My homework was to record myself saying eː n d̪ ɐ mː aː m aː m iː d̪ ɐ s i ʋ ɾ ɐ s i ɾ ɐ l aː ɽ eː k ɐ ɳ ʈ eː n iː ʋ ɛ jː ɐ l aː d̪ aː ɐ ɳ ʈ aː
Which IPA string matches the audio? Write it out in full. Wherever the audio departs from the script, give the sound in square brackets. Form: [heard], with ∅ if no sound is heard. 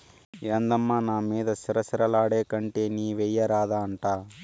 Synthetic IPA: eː n d̪ ɐ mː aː [n] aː m iː d̪ ɐ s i [∅] ɾ ɐ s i ɾ ɐ l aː ɽ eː k ɐ ɳ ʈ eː n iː ʋ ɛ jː ɐ [ɾ] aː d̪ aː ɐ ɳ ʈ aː